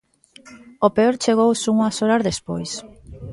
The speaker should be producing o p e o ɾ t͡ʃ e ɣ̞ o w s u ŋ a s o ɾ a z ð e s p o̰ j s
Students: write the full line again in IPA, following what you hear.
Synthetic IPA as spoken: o p e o ɾ t͡ʃ e ɣ̞ o w s u ŋ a s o ɾ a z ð e s p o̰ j s